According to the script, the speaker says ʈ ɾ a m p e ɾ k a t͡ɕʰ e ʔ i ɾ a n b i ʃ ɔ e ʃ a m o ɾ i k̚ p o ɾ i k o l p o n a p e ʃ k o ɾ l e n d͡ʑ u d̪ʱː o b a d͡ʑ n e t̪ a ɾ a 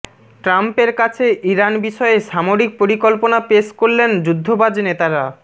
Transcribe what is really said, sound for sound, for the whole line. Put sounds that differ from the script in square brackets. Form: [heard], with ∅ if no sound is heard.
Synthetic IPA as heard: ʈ ɾ a m p e ɾ k a t͡ɕʰ e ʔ i ɾ a n b i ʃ ɔ e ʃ a m o ɾ i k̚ p o ɾ i k o l p o n a p e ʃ k o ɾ l e n d͡ʑ u d̪ʱː o b a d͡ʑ n e t̪ a ɾ a